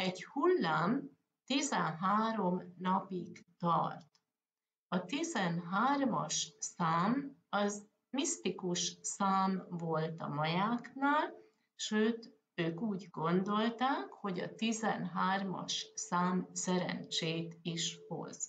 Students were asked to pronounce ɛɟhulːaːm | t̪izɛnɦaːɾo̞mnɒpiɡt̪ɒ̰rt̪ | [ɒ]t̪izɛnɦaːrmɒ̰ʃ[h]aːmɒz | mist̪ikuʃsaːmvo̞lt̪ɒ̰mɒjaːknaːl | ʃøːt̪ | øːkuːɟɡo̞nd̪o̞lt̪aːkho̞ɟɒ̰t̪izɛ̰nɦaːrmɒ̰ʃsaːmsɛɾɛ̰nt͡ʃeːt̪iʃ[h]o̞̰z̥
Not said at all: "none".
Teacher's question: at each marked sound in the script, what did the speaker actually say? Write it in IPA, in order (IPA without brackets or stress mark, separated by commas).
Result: ɒ, s, h